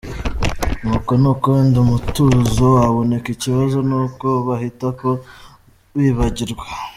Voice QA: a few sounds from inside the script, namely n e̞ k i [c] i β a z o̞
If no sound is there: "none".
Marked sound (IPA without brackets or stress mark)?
c